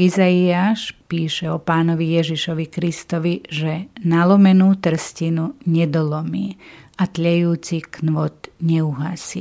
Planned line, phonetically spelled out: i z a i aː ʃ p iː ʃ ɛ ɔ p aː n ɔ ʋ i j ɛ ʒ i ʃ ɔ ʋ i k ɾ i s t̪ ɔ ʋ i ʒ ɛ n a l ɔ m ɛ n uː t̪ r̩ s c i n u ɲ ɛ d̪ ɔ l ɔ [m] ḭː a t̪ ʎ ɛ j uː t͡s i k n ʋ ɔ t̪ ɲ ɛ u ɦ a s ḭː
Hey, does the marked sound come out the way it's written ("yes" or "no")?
yes